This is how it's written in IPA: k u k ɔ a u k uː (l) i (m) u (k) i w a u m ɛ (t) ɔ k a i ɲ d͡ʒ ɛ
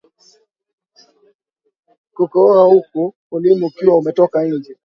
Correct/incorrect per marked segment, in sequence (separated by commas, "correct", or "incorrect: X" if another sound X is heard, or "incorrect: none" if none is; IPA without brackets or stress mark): correct, correct, correct, correct